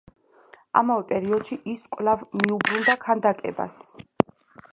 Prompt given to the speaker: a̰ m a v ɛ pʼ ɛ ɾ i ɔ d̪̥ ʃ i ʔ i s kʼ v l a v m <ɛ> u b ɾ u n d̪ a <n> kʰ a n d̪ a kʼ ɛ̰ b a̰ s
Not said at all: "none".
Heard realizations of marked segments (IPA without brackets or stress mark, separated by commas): i, none